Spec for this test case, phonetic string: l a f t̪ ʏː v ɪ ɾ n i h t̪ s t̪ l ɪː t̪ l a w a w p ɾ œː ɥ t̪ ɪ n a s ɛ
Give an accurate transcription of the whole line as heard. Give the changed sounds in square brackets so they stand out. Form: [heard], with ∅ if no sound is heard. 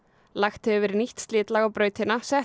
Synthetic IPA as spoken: l a [x] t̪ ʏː v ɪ ɾ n i h t̪ s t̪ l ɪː t̪ l a [ɣ] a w p ɾ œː ɥ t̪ ɪ n a s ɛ